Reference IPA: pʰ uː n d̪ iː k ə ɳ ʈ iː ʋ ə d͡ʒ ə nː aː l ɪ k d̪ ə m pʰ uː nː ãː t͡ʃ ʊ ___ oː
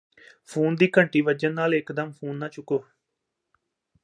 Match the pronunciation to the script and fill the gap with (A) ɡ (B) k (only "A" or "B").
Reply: B